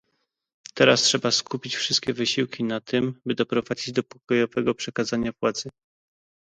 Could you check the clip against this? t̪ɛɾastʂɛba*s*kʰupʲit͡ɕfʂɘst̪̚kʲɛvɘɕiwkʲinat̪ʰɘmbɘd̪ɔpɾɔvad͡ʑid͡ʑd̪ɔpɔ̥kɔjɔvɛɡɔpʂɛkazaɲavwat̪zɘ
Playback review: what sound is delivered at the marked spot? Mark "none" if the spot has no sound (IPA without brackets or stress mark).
s